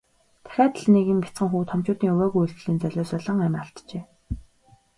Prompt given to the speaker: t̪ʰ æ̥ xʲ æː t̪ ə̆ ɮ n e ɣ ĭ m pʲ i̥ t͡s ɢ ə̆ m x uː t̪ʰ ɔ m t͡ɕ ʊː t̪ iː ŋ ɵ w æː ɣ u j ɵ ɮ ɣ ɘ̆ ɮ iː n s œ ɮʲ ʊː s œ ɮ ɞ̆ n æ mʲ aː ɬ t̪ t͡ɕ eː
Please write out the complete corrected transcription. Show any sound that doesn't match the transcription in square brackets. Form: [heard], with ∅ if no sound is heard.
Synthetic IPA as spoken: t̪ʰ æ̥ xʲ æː t̪ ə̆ ɮ n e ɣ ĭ m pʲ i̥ t͡s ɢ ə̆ [ŋ] x uː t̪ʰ ɔ m t͡ɕ ʊː t̪ iː ŋ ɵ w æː ɣ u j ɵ ɮ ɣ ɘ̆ ɮ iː n [t͡s] œ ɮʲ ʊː s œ ɮ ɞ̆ [ŋ] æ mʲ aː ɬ t̪ t͡ɕ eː